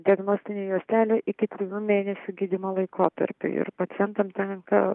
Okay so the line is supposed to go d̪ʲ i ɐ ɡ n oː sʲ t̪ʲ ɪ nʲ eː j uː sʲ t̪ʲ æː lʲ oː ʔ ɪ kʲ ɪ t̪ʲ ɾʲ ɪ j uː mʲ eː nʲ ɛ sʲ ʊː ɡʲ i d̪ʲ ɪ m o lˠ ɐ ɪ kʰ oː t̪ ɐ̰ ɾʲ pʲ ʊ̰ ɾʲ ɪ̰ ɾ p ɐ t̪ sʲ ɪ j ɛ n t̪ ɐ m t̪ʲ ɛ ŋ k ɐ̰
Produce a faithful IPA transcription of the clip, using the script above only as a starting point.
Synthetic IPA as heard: d̪ʲ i ɐ ɡ n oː sʲ t̪ʲ ɪ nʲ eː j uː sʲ t̪ʲ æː lʲ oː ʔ ɪ kʲ ɪ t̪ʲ ɾʲ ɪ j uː mʲ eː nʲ ɛ sʲ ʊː ɡʲ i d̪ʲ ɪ m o lˠ ɐ ɪ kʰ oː t̪ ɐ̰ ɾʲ pʲ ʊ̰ ɪ̰ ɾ p ɐ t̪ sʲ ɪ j ɛ n t̪ ɐ m t̪ʲ ɛ ŋ k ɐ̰